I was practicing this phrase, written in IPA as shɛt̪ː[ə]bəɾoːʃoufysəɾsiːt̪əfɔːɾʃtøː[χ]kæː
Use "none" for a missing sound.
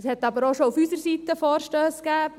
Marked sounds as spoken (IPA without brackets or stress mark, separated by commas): ɑ, s